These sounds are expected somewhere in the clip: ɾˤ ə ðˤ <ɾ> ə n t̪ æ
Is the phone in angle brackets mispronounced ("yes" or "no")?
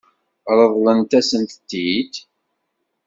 yes